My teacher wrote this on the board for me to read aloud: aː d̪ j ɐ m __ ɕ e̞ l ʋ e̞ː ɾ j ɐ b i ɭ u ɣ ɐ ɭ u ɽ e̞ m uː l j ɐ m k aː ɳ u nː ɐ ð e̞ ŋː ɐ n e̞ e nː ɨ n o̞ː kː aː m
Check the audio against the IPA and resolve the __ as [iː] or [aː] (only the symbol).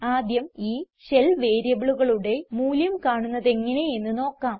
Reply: iː